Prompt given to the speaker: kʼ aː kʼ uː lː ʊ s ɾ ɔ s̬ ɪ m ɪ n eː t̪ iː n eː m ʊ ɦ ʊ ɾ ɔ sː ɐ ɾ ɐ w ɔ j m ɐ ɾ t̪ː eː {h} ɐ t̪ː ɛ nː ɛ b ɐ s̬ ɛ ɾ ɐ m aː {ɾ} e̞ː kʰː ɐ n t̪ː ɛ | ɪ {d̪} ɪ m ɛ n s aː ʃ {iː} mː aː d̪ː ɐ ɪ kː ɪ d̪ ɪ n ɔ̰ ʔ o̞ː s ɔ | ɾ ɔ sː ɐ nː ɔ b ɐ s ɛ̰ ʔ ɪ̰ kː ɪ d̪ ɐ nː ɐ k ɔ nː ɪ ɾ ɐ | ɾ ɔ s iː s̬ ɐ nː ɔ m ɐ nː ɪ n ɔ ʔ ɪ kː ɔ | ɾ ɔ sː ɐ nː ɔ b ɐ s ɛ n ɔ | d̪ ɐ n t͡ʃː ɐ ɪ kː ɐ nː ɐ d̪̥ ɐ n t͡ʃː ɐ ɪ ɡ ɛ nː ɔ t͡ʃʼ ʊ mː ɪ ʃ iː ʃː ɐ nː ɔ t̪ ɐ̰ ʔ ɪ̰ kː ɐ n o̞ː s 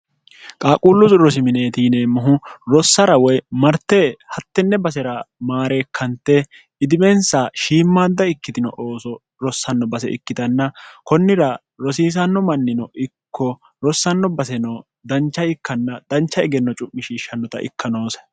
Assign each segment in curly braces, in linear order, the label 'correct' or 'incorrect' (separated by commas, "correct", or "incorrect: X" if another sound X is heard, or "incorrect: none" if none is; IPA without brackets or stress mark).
correct, correct, correct, correct